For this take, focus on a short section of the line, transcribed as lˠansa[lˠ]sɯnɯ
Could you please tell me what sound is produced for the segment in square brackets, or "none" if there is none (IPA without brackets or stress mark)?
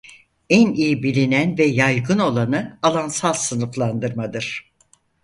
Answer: lˠ